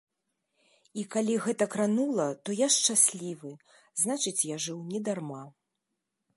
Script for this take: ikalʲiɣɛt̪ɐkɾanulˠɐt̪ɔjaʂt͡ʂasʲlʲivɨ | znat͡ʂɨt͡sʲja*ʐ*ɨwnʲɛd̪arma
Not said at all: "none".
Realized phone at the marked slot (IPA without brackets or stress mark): ʐ